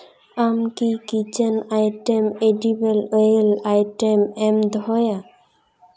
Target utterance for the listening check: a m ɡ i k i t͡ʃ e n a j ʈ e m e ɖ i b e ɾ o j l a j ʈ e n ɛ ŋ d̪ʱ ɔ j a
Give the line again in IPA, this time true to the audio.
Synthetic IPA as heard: a m k i k i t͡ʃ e n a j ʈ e m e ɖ i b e l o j l a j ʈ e m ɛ m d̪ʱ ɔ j a